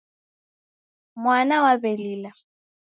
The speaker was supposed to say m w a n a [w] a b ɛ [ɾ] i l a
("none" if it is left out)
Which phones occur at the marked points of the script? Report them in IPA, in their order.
w, l

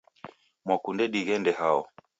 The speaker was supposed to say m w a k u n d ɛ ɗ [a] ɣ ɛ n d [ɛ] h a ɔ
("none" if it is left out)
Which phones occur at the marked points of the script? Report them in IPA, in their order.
i, ɛ

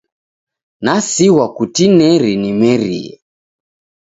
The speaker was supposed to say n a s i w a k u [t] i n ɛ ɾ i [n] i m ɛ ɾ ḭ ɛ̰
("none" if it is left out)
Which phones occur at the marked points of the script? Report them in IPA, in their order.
t, n

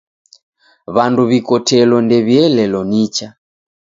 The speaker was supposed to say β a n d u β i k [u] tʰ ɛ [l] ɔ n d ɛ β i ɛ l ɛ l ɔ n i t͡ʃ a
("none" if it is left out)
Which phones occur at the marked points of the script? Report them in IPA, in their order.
ɔ, l

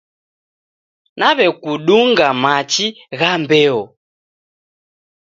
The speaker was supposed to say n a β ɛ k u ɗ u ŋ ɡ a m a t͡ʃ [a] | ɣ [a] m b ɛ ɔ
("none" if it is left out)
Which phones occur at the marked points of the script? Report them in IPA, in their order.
i, a

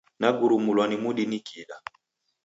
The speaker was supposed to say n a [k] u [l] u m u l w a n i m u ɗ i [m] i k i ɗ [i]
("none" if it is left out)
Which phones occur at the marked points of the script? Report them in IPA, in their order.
ɡ, ɾ, n, a

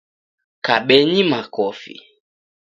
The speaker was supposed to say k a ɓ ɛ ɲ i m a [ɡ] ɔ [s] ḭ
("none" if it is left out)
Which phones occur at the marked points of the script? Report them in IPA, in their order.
k, f

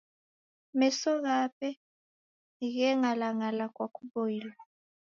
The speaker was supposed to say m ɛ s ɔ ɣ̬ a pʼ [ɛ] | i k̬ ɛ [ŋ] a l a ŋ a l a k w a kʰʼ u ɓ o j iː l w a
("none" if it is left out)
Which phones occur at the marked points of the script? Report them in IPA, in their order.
ɛ, ŋ

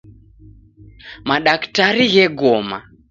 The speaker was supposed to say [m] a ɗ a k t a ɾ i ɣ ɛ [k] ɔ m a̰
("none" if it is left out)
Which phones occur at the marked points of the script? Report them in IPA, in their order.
m, ɡ

